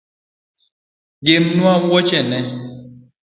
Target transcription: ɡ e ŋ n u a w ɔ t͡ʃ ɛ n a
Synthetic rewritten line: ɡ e m n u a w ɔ t͡ʃ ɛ n ɛ